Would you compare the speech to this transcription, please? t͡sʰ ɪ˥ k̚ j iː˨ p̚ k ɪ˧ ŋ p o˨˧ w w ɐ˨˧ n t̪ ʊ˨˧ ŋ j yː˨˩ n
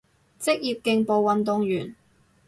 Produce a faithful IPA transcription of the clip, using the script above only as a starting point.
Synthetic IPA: t͡s ɪ˥ k̚ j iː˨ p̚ k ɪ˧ ŋ p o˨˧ w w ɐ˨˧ n t̪ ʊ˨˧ ŋ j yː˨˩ n

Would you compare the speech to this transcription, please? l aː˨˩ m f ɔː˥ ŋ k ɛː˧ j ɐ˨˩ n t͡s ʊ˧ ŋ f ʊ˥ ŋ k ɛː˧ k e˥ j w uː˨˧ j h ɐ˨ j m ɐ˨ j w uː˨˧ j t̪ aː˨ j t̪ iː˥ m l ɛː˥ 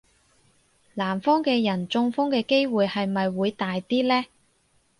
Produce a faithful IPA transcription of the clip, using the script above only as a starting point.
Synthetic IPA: l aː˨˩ m f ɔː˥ ŋ k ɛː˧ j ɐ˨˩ n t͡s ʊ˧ ŋ f ʊ˥ ŋ k ɛː˧ k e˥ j w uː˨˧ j h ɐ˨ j m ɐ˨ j w uː˨˧ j t̪ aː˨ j t̪ iː˥ l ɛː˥

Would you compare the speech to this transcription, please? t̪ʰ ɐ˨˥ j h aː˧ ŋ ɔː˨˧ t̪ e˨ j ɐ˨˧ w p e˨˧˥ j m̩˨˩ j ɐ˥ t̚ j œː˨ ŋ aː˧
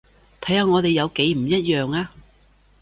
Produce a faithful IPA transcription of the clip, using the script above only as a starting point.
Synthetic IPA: t̪ʰ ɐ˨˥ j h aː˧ ŋ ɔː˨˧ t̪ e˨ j ɐ˨˧ w k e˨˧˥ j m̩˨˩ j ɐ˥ t̚ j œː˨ ŋ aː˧

